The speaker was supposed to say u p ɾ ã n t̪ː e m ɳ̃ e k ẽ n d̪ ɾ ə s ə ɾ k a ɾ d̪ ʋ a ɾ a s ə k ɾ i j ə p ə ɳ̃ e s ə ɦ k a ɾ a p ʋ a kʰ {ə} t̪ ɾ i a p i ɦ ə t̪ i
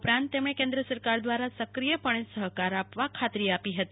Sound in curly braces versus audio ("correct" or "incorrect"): incorrect